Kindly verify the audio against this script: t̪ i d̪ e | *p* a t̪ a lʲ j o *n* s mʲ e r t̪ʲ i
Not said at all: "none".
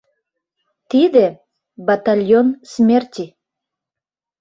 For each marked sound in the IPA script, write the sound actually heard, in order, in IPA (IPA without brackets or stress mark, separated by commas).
b, n